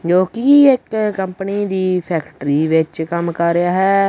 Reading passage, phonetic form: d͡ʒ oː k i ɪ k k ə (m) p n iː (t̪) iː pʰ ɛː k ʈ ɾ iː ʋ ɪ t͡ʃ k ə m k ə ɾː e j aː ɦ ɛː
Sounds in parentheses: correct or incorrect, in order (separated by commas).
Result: correct, incorrect